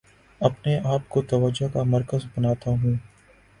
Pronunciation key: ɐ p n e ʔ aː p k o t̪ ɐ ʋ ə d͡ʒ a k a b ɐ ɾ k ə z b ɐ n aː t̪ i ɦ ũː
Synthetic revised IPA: ɐ p n e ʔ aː p k o t̪ ɐ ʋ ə d͡ʒ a k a m ɐ ɾ k ə z b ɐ n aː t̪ a ɦ ũː